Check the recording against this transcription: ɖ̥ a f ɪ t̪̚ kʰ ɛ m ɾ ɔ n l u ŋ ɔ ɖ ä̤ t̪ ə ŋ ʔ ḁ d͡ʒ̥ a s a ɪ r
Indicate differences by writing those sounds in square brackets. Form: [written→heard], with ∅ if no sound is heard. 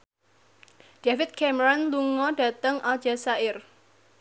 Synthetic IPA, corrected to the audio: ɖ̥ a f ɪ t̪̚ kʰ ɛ m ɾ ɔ n l u ŋ ɔ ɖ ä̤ t̪ ə ŋ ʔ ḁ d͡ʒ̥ a s a ɪ r